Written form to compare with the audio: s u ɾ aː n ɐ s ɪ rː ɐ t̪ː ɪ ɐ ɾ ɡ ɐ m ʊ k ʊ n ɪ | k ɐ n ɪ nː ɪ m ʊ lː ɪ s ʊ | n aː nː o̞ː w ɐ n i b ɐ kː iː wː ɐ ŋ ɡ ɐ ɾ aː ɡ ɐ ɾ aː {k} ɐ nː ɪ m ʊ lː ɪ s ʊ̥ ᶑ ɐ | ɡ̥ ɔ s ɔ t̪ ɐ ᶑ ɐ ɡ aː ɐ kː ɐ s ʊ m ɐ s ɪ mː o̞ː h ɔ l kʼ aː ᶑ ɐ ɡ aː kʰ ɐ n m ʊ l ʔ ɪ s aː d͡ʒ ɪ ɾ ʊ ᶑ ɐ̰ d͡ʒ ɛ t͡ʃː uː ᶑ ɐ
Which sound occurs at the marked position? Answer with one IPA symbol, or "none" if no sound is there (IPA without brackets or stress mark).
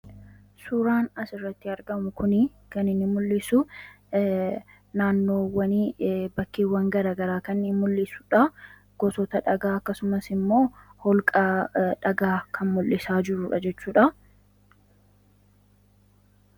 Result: k